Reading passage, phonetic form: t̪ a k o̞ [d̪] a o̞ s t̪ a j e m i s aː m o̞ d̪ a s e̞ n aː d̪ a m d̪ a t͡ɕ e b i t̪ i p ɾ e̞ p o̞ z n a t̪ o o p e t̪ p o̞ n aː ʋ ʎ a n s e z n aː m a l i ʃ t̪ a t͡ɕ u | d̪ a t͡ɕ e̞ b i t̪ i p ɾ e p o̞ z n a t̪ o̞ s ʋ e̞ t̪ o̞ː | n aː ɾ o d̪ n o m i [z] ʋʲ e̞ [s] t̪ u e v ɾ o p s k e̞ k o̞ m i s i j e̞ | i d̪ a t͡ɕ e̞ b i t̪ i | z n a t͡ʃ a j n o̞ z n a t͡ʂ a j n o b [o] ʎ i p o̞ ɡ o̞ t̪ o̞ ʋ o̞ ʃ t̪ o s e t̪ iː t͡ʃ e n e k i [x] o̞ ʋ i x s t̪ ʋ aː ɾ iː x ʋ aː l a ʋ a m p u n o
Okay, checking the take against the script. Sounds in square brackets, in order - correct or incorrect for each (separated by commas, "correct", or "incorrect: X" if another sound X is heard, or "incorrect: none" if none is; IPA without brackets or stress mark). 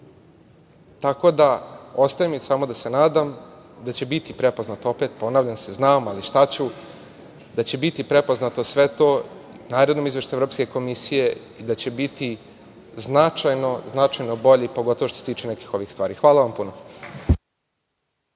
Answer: correct, correct, incorrect: ʃ, correct, correct